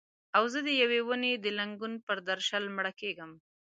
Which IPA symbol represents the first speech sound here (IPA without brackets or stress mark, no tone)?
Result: a